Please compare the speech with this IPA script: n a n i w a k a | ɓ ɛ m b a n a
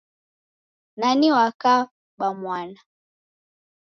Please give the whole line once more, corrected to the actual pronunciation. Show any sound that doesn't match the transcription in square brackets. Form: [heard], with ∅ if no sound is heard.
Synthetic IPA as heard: n a n i w a k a | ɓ [a] m [w] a n a